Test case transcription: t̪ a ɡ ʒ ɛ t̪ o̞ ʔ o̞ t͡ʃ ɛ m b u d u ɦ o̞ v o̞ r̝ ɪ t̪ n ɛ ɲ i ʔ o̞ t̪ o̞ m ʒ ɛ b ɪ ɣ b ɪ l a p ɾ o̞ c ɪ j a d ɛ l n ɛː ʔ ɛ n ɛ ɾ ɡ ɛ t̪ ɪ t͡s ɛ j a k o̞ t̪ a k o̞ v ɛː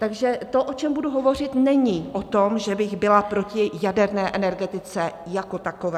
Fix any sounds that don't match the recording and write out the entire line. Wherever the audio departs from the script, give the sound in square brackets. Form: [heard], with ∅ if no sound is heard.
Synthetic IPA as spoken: t̪ a ɡ ʒ ɛ t̪ o̞ ʔ o̞ t͡ʃ ɛ m b u d u ɦ o̞ v o̞ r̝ ɪ t̪ n ɛ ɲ i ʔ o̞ t̪ o̞ m ʒ ɛ b ɪ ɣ b ɪ l a p ɾ o̞ c ɪ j a d ɛ [ɾ] n ɛː ʔ ɛ n ɛ ɾ ɡ ɛ t̪ ɪ t͡s ɛ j a k o̞ t̪ a k o̞ v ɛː